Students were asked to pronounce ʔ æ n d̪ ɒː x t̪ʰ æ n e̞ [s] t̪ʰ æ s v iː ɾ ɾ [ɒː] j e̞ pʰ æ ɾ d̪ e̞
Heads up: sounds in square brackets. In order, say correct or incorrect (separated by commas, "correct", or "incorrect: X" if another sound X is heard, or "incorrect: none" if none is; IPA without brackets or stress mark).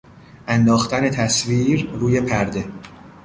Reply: incorrect: none, incorrect: uː